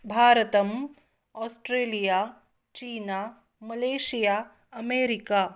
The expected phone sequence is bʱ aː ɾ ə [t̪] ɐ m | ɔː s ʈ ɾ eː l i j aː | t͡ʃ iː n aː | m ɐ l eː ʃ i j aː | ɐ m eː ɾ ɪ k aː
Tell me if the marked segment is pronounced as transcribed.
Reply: yes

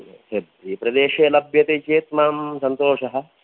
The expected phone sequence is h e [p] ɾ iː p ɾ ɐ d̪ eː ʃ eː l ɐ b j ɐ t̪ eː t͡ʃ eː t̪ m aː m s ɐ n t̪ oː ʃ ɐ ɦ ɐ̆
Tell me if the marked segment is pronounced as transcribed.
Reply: no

